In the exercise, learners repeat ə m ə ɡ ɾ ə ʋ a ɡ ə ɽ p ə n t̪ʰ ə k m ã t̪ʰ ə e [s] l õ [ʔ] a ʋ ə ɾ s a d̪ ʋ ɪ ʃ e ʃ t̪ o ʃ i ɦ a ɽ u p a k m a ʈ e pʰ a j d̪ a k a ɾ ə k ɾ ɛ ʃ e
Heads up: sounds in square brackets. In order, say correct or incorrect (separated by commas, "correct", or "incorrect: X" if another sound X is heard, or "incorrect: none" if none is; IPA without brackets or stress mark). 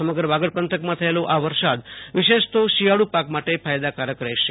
incorrect: none, correct